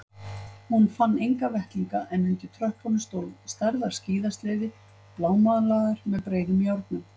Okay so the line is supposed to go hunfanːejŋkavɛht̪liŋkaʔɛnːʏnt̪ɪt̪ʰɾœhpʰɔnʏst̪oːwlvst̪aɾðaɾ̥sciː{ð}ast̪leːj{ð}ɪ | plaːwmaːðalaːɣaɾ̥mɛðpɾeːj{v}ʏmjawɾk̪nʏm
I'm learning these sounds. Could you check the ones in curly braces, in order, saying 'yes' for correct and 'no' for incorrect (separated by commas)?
yes, yes, no